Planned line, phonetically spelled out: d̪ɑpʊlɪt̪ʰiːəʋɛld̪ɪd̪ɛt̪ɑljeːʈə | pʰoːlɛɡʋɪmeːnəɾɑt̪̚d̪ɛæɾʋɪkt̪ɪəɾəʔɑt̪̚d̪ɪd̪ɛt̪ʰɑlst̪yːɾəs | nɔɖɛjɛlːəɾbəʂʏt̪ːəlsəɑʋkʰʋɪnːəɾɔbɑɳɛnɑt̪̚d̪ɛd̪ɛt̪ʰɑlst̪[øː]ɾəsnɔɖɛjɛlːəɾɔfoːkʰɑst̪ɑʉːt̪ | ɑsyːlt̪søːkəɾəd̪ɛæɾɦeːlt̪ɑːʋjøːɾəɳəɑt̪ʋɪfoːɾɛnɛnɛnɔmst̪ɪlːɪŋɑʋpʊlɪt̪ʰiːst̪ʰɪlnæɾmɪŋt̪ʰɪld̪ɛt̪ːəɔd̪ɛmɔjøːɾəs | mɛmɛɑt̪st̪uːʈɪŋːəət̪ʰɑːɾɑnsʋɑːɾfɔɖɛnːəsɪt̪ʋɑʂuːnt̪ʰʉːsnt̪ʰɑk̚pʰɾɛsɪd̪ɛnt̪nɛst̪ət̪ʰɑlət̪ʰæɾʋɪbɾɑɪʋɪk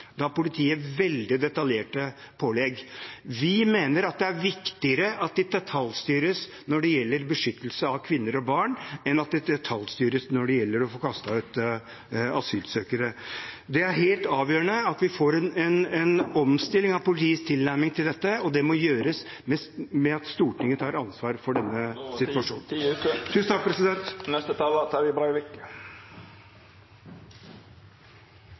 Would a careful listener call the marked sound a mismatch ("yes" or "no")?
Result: yes